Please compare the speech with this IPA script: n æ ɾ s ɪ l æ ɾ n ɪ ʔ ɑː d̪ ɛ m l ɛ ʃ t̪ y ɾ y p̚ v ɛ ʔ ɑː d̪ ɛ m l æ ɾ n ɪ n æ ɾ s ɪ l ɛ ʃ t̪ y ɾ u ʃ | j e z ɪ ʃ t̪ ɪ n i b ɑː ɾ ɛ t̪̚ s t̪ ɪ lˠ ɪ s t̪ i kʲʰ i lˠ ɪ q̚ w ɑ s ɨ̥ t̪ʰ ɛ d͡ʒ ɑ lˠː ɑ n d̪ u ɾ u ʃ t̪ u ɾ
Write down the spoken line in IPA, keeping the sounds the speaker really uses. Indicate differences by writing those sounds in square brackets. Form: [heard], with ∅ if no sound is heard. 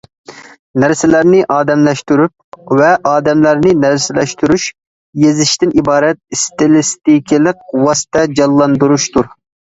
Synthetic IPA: n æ ɾ s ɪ l æ ɾ n ɪ ʔ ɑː d̪ ɛ m l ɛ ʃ t̪ y ɾ y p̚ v ɛ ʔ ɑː d̪ ɛ m l æ ɾ n ɪ n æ ɾ s ɪ l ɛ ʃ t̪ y ɾ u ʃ | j e z ɪ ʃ t̪ ɪ n i b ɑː ɾ ɛ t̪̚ s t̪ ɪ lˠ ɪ s t̪ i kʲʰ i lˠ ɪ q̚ w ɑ s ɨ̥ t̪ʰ ɛ d͡ʒ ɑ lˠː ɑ n d̪ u ɾ u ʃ t̪ u ɾ